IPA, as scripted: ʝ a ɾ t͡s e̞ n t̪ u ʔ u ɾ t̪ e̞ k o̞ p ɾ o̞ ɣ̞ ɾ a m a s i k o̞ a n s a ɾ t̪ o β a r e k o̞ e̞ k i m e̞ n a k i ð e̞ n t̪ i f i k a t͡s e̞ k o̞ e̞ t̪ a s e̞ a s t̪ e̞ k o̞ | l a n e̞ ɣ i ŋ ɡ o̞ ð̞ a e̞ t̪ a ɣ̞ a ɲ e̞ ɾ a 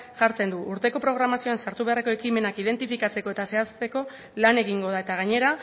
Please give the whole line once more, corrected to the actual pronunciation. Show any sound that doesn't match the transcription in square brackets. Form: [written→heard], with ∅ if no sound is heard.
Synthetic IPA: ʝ a ɾ t͡s e̞ n [t̪→d̪] u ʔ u ɾ t̪ e̞ k o̞ p ɾ o̞ ɣ̞ ɾ a m a s i [k→∅] o̞ a n s a ɾ t̪ [o→u] β a r e k o̞ e̞ k i m e̞ n a k i ð e̞ n t̪ i f i k a t͡s e̞ k o̞ e̞ t̪ a s e̞ a s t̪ e̞ k o̞ | l a n e̞ ɣ i ŋ ɡ o̞ ð̞ a e̞ t̪ a ɣ̞ a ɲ e̞ ɾ a